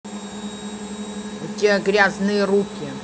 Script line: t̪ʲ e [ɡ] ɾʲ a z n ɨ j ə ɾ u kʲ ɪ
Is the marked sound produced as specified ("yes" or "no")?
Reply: yes